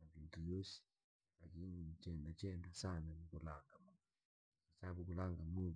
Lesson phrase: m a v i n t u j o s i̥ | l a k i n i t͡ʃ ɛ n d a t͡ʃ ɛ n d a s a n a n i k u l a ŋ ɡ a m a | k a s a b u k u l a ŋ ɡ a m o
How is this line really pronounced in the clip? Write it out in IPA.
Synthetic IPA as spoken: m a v i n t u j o s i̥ | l a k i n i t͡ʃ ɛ n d a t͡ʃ ɛ n d a s a n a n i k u l a ŋ ɡ a m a | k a s a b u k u l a ŋ ɡ a m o